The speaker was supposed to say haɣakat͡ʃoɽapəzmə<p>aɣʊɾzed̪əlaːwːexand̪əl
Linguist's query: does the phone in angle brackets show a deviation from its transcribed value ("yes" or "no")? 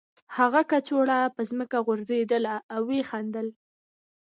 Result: yes